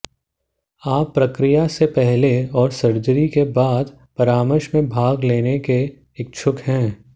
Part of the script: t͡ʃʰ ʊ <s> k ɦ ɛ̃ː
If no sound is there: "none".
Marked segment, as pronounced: none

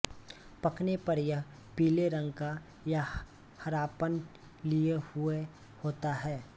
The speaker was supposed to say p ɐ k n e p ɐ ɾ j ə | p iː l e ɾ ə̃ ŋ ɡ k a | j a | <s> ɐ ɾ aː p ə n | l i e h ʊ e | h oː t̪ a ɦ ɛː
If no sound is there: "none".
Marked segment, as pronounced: h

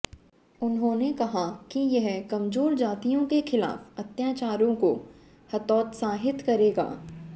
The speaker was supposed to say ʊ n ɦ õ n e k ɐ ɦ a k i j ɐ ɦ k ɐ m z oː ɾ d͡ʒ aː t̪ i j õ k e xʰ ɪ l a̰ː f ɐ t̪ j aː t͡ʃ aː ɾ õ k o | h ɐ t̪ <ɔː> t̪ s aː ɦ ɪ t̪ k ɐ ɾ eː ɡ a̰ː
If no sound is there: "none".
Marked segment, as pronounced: ɔː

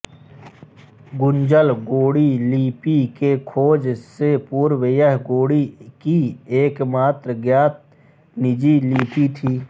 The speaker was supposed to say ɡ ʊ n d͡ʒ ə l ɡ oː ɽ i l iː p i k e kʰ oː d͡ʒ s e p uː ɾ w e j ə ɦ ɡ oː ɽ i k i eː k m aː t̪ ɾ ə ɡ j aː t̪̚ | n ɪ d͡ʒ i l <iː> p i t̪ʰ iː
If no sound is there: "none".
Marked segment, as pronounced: iː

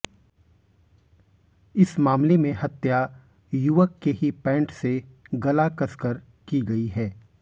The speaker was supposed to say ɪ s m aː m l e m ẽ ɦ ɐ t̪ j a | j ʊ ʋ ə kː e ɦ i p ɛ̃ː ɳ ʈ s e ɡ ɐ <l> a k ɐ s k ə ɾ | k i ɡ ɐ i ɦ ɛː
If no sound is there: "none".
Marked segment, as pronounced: l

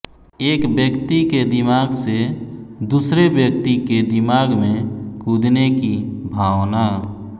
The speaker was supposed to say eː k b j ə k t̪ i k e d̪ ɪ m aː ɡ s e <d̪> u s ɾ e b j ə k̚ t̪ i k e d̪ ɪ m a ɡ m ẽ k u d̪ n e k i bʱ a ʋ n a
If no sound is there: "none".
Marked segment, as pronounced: d̪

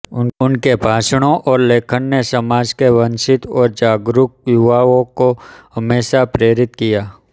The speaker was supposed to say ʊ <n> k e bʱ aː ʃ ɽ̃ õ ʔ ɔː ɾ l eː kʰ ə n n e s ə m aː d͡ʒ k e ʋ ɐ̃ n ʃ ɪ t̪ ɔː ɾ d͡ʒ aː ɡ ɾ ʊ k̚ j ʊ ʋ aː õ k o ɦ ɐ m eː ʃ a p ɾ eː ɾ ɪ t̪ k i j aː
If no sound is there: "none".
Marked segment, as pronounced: n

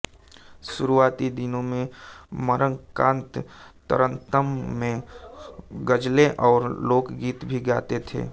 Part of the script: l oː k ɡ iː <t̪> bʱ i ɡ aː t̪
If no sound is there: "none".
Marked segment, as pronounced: t̪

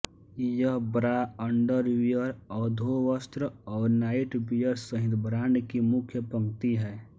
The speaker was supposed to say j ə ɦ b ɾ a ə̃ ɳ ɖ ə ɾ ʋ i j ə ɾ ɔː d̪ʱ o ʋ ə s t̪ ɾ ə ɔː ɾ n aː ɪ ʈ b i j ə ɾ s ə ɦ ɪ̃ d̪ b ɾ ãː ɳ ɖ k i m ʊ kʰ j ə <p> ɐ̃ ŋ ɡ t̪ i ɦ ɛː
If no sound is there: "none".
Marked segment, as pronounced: p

